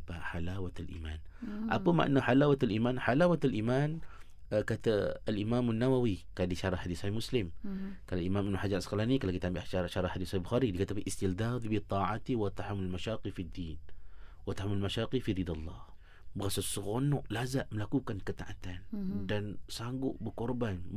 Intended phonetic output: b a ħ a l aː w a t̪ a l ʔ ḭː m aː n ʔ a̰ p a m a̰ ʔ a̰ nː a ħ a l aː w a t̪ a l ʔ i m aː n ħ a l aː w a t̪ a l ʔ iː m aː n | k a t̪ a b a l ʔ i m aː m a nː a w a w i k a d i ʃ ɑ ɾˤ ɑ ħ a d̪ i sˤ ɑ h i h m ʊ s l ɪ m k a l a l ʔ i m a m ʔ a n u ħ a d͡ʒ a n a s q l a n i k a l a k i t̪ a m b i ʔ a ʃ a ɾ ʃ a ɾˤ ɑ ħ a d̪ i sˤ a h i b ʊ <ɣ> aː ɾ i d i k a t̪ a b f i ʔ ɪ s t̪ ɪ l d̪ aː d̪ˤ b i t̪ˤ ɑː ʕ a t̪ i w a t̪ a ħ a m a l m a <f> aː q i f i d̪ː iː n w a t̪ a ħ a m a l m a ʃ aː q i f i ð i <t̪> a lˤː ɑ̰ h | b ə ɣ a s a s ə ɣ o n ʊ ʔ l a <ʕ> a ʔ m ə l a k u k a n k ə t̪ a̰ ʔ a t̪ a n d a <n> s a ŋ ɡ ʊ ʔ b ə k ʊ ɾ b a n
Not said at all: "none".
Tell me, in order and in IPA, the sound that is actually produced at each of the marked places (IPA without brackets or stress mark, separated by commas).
x, ʃ, d̪, z, n